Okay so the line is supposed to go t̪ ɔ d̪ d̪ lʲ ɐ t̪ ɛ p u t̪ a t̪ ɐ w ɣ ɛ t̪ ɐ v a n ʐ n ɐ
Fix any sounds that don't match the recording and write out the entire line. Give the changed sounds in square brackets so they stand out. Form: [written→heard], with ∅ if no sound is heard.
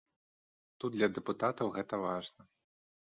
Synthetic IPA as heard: t̪ [ɔ→u] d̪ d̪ lʲ ɐ [t̪→d̪] ɛ p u t̪ a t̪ ɐ w ɣ ɛ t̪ ɐ v a [n→∅] ʐ n ɐ